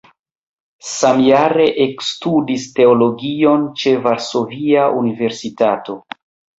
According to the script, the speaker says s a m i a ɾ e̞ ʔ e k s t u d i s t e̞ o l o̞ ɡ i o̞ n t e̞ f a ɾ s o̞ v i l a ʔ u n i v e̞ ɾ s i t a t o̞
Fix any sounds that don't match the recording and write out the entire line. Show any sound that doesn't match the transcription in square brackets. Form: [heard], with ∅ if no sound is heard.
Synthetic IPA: s a m [j] a ɾ e̞ ʔ e k s t u d i s t e̞ o l o̞ ɡ i o̞ n [t͡ʃ] e̞ [v] a ɾ s o̞ v i [∅] a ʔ u n i v e̞ ɾ s i t a t o̞